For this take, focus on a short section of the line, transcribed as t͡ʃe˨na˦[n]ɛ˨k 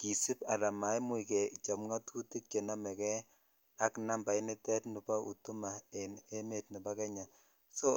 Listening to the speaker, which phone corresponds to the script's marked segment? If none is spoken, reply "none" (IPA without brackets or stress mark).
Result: m